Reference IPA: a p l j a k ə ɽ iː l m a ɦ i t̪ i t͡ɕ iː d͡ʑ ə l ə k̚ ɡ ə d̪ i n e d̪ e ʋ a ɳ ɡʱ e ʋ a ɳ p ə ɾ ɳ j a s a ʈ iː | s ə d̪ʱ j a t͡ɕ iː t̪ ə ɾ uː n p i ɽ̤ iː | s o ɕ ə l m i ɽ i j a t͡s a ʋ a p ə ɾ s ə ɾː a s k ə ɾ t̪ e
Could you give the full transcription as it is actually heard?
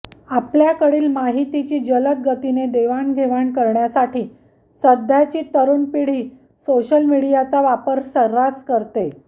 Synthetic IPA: a p l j a k ə ɽ iː l m a ɦ i t̪ i t͡ɕ iː d͡ʑ ə l ə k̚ ɡ ə t̪ i n e d̪ e ʋ a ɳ ɡʱ e ʋ a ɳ k ə ɾ ɳ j a s a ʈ iː | s ə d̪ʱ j a t͡ɕ iː t̪ ə ɾ uː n p i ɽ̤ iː | s o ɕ ə l m i ɽ i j a t͡s a ʋ a p ə ɾ s ə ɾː a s k ə ɾ t̪ e

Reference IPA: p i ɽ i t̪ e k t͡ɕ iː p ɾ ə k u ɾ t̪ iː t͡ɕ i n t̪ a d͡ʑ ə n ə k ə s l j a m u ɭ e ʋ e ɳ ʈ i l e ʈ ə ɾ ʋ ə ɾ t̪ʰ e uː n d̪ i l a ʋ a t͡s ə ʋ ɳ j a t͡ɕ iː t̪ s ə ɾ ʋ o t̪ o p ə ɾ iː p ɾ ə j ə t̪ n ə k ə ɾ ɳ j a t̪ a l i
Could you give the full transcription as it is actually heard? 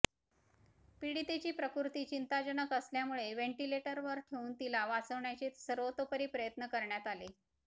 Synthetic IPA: p i ɽ i t̪ e t͡ɕ iː p ɾ ə k u ɾ t̪ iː t͡ɕ i n t̪ a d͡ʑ ə n ə k ə s l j a m u ɭ e ʋ e ɳ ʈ i l e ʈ ə ɾ ʋ ə ɾ t̪ʰ e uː n t̪ i l a ʋ a t͡s ə ʋ ɳ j a t͡ɕ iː t̪ s ə ɾ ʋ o t̪ o p ə ɾ iː p ɾ ə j ə t̪ n ə k ə ɾ ɳ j a t̪ a l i

